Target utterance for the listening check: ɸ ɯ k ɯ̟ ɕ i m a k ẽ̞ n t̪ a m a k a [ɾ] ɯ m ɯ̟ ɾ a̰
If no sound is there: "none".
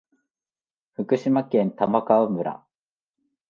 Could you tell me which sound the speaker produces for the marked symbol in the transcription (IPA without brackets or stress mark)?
none